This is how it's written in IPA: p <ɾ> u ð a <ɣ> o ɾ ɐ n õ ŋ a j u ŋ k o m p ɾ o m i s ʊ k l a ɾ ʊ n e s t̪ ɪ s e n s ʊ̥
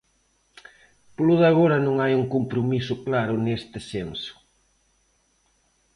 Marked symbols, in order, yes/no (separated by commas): no, yes